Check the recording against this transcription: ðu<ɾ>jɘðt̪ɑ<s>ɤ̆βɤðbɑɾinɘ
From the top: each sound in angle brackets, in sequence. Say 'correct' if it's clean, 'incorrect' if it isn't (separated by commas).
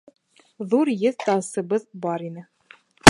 correct, correct